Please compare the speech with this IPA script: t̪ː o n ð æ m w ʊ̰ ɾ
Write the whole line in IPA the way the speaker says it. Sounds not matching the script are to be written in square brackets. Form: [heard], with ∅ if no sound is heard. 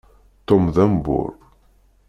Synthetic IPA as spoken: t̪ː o [m] ð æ m [b] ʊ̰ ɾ